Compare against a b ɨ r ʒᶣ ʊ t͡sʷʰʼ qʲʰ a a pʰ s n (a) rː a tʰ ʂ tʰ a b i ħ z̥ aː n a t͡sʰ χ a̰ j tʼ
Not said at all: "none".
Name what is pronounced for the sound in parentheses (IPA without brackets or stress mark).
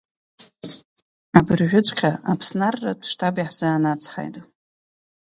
a